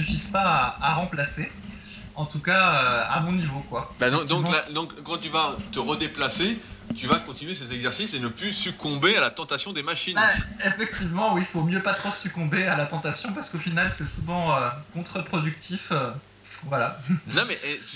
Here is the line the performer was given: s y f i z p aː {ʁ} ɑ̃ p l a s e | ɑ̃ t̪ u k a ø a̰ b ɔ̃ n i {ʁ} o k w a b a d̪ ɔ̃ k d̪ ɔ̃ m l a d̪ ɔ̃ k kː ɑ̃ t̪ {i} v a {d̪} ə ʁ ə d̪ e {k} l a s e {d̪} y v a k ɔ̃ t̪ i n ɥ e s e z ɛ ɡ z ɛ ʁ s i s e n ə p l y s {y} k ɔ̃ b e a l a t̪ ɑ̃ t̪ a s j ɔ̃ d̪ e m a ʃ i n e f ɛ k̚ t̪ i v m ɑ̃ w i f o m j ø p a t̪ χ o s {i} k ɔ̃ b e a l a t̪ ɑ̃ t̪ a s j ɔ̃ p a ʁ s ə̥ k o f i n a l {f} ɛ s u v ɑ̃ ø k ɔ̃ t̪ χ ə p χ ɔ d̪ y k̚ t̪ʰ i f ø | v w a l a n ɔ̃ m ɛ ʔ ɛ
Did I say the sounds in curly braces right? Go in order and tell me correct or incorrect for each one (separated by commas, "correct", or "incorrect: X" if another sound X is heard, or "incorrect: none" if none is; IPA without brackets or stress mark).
correct, incorrect: v, incorrect: y, incorrect: t̪, incorrect: p, incorrect: t̪, correct, incorrect: y, incorrect: s